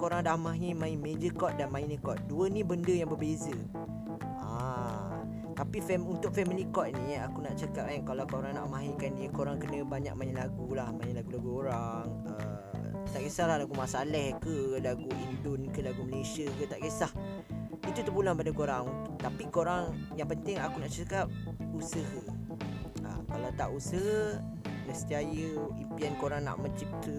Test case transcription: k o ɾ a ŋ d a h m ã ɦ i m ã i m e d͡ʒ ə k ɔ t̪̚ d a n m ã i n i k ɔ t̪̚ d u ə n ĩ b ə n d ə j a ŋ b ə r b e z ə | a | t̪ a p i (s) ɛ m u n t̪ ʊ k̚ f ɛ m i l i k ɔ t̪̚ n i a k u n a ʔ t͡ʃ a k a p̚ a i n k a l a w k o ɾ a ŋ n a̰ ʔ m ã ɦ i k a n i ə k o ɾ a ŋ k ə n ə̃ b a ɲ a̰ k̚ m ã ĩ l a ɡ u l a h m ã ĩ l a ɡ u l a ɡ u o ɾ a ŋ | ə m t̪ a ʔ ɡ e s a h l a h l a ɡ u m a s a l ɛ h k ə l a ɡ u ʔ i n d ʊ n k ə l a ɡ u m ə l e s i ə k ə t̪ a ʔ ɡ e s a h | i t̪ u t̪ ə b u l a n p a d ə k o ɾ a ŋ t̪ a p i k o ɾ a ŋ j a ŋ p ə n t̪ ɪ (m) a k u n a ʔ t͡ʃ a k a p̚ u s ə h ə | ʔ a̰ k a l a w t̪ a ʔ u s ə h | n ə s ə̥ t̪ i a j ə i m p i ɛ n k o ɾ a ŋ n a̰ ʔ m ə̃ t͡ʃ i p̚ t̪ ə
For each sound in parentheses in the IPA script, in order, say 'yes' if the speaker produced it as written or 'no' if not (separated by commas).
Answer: no, no